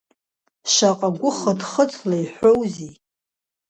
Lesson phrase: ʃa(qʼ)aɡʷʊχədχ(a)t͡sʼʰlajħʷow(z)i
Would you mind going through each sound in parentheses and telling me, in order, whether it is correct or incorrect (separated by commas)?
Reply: correct, incorrect, correct